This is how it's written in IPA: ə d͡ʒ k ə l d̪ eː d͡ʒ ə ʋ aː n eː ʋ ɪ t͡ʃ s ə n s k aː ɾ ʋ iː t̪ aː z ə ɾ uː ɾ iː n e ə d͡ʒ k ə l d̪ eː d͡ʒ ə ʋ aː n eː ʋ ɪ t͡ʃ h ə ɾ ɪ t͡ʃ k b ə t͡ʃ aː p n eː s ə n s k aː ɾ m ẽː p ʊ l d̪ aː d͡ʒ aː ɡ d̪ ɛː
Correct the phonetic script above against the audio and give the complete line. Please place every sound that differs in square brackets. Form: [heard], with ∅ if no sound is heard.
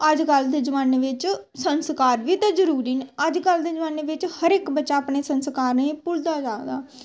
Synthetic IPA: ə d͡ʒ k ə l d̪ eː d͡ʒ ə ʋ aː n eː ʋ ɪ t͡ʃ s ə n s k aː ɾ ʋ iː t̪ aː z ə ɾ uː ɾ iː n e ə d͡ʒ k ə l d̪ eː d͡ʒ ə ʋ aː n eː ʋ ɪ t͡ʃ h ə ɾ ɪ [∅] k b ə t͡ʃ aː p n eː s ə n s k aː ɾ [n] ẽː p ʊ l d̪ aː d͡ʒ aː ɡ d̪ [aː]